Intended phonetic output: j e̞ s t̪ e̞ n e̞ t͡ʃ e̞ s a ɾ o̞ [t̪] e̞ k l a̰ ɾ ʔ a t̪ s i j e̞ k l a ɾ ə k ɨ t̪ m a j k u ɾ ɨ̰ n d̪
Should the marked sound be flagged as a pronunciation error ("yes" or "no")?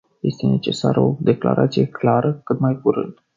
yes